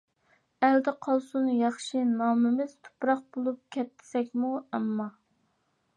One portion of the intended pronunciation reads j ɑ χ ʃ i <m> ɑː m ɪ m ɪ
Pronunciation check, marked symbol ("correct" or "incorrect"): incorrect